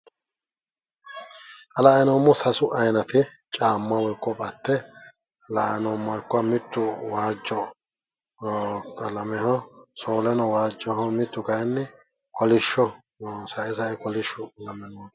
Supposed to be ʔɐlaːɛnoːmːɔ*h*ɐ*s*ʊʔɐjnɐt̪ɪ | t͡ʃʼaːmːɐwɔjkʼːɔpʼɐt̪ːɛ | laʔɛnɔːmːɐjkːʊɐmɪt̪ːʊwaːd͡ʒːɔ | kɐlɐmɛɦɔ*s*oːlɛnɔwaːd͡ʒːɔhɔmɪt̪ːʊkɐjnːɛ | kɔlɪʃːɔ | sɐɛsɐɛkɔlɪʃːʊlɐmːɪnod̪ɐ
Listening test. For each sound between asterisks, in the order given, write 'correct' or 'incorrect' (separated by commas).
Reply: incorrect, correct, correct